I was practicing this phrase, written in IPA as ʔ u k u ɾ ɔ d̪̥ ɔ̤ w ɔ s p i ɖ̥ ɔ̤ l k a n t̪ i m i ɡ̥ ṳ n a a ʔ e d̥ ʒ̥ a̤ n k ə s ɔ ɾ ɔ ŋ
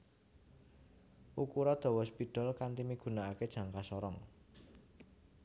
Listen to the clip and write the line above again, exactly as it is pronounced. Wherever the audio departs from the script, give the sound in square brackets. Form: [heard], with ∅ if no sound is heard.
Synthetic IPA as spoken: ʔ u k u ɾ ɔ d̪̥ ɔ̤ w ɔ s p i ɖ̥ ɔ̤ l k a n t̪ i m i ɡ̥ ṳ n a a [k] e d̥ ʒ̥ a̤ [ŋ] k [a] s ɔ ɾ ɔ ŋ